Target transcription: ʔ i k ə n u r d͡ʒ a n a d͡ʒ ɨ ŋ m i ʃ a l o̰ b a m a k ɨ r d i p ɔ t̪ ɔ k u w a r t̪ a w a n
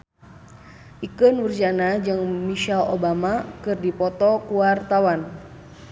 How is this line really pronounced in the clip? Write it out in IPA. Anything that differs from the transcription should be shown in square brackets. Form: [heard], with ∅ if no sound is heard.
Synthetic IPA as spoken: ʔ i k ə n u r d͡ʒ a n a d͡ʒ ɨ ŋ m i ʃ a l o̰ b a m a k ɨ r d i p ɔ t̪ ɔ k u w a r t̪ a w a n